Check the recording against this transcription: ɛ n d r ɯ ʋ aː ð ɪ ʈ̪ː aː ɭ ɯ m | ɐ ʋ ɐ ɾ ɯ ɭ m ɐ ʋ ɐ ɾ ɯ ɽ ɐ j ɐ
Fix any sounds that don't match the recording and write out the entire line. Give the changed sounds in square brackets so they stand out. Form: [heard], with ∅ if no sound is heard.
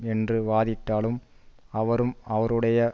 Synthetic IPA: ɛ n d r ɯ ʋ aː ð ɪ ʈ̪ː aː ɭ ɯ m | ɐ ʋ ɐ ɾ ɯ [∅] m ɐ ʋ ɐ ɾ ɯ ɽ ɐ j ɐ